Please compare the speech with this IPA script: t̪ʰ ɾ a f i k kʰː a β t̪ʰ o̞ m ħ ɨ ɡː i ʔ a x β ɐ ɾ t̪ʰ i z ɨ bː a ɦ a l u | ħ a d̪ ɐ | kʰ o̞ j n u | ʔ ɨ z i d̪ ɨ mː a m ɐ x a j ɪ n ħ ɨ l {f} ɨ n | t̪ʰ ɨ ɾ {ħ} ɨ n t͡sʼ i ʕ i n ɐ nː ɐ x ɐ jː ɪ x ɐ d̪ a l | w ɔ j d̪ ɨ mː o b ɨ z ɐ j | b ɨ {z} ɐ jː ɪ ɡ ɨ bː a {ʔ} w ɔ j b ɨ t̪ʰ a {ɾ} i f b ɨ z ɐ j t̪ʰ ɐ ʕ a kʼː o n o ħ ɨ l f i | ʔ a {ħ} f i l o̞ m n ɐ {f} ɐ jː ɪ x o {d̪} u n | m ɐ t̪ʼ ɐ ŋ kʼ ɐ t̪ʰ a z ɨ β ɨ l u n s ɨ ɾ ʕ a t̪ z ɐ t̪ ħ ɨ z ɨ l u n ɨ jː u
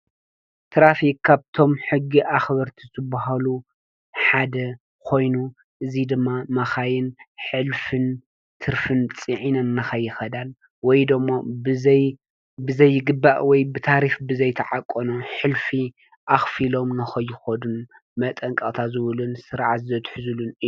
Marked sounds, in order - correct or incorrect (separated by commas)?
correct, incorrect, correct, correct, correct, incorrect, incorrect, correct